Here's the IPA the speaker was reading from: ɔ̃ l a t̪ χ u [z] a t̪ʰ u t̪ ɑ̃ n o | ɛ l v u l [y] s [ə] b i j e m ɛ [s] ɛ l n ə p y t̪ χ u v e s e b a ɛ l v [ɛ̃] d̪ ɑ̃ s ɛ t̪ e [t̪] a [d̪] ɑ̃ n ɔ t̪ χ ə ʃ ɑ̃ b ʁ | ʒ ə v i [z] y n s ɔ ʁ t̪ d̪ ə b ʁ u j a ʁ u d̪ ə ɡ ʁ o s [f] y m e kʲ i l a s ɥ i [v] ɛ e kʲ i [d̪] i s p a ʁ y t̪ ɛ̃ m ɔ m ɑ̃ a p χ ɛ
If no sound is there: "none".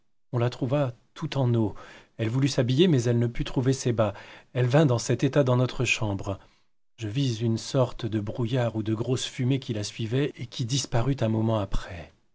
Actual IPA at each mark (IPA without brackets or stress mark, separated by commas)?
v, y, a, z, ɛ̃, t̪, d̪, z, f, v, d̪